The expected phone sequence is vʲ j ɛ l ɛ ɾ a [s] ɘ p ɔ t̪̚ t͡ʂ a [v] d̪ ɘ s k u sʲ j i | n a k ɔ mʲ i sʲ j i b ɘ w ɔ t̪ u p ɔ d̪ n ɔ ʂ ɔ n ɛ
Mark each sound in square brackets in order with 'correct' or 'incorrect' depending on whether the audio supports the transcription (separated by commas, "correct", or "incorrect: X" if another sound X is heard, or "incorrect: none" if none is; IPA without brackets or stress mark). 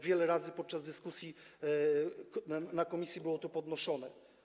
incorrect: z, incorrect: z